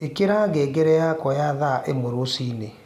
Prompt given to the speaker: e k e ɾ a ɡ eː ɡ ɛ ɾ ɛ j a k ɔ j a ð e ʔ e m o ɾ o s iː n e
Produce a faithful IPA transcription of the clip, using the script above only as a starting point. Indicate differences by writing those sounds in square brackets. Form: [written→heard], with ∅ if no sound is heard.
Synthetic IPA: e k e ɾ a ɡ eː ɡ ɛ ɾ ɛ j a k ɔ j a ð [e→a] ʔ e m o ɾ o s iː n e